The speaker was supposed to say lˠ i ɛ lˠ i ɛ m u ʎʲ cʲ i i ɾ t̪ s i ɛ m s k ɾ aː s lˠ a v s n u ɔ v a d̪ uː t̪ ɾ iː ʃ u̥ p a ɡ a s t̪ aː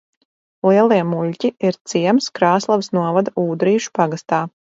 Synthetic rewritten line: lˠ i ɛ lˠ i ɛ m u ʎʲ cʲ i i ɾ t̪ s i ɛ m s k ɾ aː s lˠ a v s n u ɔ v a d̪ uː d̪ ɾ iː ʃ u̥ p a ɡ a s t̪ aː